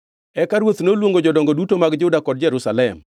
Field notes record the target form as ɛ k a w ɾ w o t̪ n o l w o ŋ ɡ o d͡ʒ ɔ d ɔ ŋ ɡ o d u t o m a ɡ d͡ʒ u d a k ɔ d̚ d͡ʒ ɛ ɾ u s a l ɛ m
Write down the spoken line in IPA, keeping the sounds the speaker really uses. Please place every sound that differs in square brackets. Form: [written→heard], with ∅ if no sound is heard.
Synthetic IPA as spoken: ɛ k a [w→∅] ɾ w o t̪ n o l w o ŋ ɡ o d͡ʒ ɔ d ɔ ŋ ɡ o d u t o m a ɡ d͡ʒ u d a k ɔ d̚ d͡ʒ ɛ ɾ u s a l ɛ m